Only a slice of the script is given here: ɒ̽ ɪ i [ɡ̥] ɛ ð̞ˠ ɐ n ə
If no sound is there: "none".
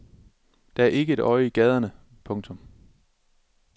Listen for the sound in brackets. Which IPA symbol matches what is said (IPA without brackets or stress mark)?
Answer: ɡ̥